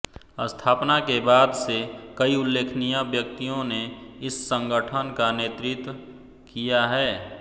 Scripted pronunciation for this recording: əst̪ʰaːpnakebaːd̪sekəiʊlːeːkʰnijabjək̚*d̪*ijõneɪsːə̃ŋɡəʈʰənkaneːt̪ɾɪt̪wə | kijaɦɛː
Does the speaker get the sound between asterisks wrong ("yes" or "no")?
yes